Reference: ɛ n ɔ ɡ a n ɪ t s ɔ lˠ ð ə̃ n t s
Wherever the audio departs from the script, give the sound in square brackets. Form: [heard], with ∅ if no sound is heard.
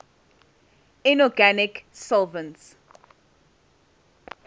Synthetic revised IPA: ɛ n ɔ ɡ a n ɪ [k] s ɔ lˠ [v] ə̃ n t s